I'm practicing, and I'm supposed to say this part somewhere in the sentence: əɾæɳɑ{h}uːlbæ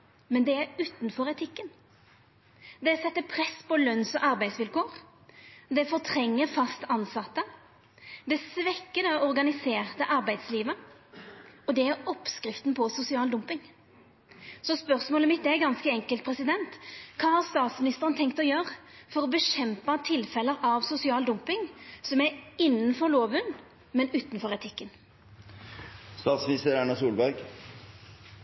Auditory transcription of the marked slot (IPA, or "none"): s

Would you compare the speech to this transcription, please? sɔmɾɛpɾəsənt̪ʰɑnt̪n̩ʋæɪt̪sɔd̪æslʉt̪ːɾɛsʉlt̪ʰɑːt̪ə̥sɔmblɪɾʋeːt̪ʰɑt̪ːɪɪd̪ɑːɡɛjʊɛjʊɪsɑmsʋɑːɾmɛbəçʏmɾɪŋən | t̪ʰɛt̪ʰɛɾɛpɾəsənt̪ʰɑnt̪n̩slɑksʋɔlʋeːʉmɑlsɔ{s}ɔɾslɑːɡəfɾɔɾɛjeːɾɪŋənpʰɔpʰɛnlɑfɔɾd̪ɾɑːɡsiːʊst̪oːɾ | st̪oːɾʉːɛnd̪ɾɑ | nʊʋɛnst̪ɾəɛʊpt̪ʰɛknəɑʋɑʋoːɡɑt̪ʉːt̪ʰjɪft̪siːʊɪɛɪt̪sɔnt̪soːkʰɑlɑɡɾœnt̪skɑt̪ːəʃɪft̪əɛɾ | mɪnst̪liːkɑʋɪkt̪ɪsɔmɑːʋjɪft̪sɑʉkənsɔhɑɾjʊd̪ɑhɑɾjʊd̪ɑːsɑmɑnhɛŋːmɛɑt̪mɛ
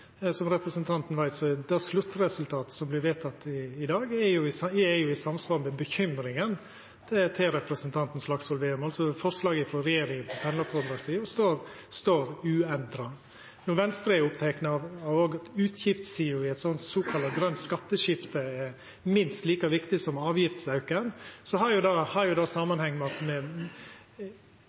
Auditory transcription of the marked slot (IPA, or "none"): f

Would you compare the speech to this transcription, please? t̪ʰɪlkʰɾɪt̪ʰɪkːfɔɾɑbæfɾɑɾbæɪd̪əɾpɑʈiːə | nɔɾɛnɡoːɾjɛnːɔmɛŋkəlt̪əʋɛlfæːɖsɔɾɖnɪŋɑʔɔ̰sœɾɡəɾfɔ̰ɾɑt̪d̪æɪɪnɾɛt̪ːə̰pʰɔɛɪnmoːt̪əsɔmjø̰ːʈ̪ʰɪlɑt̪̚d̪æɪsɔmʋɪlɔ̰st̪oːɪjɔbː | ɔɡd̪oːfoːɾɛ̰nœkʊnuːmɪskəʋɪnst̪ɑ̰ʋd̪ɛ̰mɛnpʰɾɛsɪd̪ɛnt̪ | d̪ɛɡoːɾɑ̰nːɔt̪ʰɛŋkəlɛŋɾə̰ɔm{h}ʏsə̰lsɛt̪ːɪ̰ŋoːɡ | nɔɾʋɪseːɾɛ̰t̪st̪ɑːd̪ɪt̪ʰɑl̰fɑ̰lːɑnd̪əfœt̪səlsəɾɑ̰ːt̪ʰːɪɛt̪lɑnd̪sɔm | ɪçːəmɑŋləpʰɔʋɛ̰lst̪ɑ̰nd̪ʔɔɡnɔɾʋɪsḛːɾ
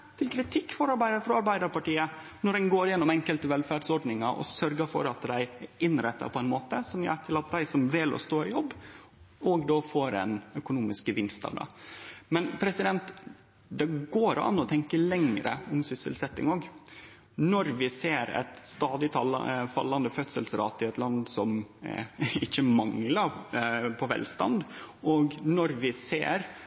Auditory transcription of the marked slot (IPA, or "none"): s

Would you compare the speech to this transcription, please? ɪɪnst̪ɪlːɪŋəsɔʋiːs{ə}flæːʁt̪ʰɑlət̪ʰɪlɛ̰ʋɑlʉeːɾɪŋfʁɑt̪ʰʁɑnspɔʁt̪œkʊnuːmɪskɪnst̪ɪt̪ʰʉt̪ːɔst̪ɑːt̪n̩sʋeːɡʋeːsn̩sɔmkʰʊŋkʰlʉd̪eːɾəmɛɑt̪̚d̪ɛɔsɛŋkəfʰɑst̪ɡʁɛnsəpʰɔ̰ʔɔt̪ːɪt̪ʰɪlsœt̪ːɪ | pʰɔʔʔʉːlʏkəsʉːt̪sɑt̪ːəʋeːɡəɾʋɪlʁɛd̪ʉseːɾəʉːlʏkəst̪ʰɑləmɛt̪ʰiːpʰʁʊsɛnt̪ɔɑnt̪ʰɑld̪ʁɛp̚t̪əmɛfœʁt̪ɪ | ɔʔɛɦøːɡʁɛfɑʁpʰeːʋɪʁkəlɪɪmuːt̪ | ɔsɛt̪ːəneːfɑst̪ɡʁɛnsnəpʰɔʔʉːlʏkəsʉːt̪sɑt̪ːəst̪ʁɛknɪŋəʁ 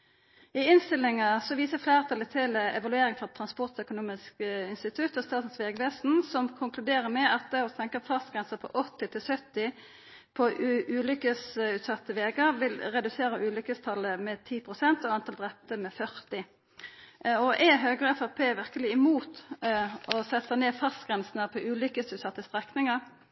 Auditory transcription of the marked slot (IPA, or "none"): ə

